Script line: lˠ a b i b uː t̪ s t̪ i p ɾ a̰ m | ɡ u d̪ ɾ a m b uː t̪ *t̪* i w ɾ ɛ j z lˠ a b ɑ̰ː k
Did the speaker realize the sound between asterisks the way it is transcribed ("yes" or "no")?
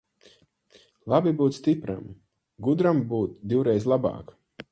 no